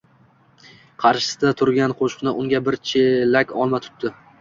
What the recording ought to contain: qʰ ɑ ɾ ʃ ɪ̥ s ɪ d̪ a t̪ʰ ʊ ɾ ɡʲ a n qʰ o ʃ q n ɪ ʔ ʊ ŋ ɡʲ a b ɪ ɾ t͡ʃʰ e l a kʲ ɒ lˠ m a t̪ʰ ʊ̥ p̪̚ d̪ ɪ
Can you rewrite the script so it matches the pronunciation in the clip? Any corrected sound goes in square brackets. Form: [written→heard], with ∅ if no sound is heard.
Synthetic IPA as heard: qʰ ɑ ɾ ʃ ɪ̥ s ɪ d̪ a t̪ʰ ʊ ɾ ɡʲ a n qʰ o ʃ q n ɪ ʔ ʊ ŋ ɡʲ a b ɪ ɾ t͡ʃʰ e l a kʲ ɒ lˠ m a t̪ʰ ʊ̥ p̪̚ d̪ ɪ